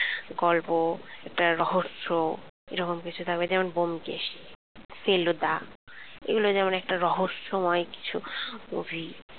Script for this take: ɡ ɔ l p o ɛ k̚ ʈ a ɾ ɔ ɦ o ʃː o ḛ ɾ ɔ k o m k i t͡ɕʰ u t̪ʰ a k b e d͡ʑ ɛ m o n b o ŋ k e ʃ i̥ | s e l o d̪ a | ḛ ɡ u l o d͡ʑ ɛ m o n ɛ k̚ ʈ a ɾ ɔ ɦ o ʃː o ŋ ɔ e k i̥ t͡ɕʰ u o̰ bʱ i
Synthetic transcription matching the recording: ɡ ɔ l p o ɛ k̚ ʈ a ɾ ɔ ɦ o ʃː o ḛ ɾ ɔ k o m k i t͡ɕʰ u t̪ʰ a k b e d͡ʑ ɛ m o n b o m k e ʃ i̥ | s e l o d̪ a | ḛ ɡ u l o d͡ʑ ɛ m o n ɛ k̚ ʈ a ɾ ɔ ɦ o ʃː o m ɔ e k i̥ t͡ɕʰ u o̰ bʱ i